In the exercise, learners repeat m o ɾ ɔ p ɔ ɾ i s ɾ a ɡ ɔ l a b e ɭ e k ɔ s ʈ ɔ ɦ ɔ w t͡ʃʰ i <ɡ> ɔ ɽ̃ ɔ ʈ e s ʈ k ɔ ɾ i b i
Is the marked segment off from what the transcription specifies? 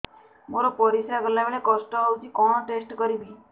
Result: yes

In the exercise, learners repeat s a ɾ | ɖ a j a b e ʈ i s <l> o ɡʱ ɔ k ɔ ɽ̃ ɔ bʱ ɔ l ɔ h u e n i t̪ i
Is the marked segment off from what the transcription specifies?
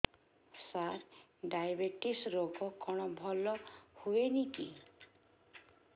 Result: yes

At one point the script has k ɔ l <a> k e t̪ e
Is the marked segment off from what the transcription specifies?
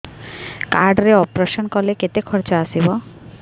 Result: yes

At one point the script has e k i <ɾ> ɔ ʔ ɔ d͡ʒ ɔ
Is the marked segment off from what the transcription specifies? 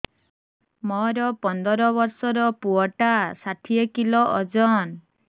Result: yes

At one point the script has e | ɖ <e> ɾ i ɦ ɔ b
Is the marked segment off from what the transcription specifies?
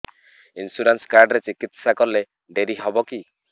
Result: no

